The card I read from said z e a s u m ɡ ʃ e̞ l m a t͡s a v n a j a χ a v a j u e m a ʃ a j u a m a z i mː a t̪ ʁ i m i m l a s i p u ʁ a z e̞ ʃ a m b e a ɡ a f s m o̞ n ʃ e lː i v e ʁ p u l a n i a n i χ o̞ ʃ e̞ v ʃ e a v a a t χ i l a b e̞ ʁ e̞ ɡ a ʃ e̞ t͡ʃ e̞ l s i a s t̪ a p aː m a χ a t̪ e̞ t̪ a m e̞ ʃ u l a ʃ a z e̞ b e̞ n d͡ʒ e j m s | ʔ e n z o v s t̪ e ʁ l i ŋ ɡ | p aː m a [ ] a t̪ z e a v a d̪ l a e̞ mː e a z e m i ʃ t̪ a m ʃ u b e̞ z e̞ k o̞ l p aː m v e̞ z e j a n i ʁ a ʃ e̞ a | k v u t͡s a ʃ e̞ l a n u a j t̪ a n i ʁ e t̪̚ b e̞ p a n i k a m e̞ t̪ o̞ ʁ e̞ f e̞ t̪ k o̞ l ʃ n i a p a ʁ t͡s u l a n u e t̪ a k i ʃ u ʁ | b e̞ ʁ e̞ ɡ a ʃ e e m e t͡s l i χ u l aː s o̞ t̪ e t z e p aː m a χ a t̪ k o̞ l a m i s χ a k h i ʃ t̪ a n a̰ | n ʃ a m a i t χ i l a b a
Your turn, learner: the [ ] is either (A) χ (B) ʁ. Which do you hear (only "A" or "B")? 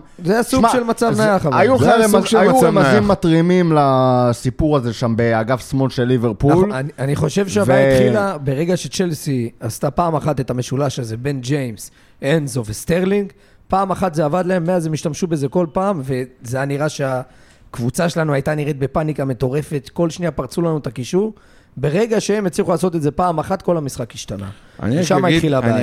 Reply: A